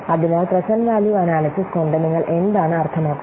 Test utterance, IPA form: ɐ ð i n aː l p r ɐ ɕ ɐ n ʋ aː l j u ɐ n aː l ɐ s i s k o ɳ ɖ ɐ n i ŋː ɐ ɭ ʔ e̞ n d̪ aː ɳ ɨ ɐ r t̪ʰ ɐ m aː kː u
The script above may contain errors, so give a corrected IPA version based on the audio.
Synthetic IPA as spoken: ɐ ð i n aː l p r ɐ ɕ ɐ n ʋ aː l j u ɐ n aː l ɐ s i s k o ɳ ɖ ɐ n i ŋː ɐ ɭ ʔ e̞ n d̪ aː ɳ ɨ ɐ r t̪ʰ ɐ m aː kː u